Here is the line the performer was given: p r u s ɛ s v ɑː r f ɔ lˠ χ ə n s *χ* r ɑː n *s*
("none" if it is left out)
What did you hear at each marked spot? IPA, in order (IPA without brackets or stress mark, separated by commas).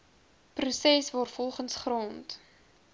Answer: χ, t